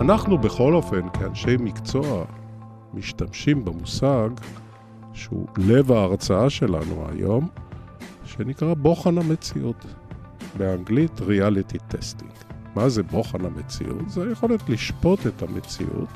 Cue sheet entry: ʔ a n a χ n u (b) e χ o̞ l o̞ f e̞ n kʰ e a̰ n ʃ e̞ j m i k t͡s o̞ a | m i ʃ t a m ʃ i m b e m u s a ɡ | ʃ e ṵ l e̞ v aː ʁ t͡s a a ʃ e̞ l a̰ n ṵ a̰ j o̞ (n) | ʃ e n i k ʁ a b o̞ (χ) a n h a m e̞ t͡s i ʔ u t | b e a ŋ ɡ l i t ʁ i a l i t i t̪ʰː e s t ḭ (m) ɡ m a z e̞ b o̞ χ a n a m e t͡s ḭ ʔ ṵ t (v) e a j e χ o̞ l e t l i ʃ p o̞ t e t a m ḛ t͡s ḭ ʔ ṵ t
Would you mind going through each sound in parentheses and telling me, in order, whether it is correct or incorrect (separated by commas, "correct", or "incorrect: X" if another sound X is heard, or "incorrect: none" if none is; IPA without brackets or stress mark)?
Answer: correct, incorrect: m, correct, incorrect: ŋ, incorrect: z